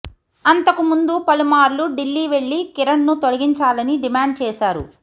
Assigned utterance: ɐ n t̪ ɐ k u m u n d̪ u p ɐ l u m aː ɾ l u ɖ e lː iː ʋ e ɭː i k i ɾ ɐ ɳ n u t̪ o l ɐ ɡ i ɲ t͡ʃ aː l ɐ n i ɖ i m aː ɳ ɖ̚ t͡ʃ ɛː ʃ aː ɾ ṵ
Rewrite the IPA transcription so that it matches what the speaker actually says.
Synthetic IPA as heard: ɐ n t̪ ɐ k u m u n d̪ u p ɐ l u m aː ɾ l u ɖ i lː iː ʋ e ɭː i k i ɾ ɐ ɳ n u t̪ o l ɐ ɡ i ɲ t͡ʃ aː l ɐ n i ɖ i m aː ɳ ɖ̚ t͡ʃ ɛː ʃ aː ɾ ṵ